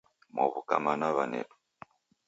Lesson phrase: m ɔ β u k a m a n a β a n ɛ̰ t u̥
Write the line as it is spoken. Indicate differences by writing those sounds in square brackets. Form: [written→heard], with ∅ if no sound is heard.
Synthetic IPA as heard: m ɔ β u k a m a n a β a n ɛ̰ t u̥